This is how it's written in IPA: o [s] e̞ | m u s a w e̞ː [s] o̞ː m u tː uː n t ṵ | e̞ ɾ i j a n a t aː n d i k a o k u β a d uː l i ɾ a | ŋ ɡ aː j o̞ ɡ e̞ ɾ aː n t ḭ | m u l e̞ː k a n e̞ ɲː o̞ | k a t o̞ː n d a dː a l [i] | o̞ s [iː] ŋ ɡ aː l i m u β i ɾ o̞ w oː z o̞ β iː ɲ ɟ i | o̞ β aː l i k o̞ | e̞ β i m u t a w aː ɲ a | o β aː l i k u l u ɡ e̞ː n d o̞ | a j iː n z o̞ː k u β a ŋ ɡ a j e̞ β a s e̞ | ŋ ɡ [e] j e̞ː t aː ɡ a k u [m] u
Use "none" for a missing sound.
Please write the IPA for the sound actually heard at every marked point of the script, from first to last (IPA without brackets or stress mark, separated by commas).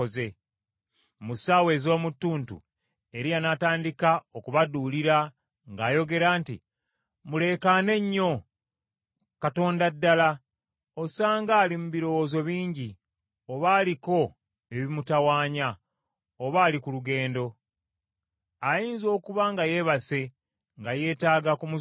z, z, a, aː, a, m